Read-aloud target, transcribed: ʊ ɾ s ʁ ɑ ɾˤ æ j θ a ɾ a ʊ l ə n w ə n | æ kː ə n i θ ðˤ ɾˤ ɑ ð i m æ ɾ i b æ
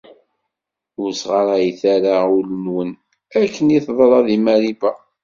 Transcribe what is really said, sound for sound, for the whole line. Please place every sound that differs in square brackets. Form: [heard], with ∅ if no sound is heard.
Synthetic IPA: ʊ ɾ s ʁ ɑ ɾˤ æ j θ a ɾ a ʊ l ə n w ə n | æ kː ə n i θ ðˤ ɾˤ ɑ ð i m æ ɾ i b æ